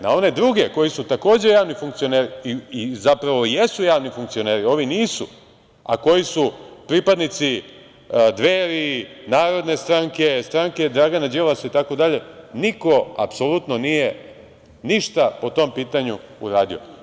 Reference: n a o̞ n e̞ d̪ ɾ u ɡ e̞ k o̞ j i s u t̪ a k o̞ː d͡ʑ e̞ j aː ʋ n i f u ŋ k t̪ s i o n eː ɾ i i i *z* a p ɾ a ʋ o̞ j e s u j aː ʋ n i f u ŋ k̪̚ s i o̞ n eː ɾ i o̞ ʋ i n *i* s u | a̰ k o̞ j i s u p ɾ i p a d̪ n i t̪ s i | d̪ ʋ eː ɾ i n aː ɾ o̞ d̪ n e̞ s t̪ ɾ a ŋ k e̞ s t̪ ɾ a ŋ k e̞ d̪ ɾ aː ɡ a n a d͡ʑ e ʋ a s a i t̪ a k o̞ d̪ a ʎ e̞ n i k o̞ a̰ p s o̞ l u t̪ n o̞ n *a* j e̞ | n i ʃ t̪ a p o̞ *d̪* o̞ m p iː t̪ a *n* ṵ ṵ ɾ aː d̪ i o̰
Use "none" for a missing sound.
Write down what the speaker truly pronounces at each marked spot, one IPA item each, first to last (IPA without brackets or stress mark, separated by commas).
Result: z, iː, i, t̪, ɲ